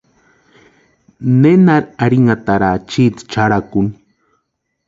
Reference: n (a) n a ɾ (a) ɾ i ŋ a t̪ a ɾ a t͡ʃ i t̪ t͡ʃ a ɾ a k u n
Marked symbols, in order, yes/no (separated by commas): no, yes